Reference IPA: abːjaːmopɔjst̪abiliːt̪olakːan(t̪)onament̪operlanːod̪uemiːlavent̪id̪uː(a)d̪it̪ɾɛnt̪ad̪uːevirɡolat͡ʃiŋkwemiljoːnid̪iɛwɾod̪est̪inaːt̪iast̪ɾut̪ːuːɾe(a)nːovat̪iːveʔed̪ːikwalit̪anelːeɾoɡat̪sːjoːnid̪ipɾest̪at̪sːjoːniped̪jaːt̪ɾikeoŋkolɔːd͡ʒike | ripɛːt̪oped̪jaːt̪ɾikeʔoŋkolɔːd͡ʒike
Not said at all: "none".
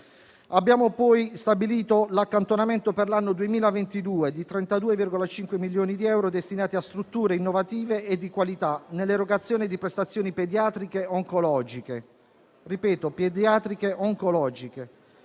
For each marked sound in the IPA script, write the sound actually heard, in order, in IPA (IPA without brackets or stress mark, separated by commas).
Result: t̪, e, i